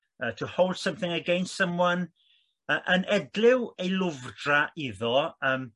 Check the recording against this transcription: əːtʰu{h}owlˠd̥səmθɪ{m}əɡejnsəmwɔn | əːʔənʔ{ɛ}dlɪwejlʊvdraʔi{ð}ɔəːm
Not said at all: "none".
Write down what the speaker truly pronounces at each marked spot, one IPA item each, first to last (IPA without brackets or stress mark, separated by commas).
h, ŋ, ɛ, ð